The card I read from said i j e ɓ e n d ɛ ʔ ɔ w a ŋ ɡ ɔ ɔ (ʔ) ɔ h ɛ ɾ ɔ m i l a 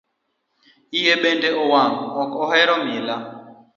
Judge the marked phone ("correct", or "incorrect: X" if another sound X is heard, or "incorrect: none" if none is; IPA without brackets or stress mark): incorrect: k